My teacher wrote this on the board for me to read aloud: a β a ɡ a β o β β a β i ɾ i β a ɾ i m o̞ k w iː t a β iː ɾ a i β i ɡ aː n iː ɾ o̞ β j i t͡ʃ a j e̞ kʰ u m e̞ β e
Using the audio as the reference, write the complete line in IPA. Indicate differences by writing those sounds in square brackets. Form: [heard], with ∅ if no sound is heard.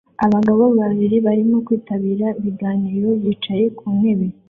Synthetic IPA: a β a ɡ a β o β β a β i ɾ i β a ɾ i m o̞ k w iː t a β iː ɾ a i β i ɡ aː n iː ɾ o̞ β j i t͡ʃ a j e̞ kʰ u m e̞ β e